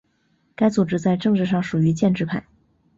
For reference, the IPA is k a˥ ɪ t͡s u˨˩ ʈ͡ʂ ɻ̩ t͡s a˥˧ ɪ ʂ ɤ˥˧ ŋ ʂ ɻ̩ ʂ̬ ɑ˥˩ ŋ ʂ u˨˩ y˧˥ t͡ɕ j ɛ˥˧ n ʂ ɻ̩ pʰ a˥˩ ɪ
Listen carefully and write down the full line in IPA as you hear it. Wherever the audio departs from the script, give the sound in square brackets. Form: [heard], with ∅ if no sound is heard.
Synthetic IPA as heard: k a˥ ɪ t͡s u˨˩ ʈ͡ʂ ɻ̩ t͡s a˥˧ ɪ [ʈ͡ʂ] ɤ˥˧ ŋ [ʈ͡ʂ] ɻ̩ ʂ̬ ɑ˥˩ ŋ ʂ u˨˩ y˧˥ t͡ɕ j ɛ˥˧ n [ʈ͡ʂ] ɻ̩ pʰ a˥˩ ɪ